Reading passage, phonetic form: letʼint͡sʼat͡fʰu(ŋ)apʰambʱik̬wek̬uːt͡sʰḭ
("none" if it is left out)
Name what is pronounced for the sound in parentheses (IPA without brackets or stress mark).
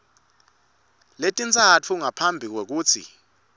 ŋ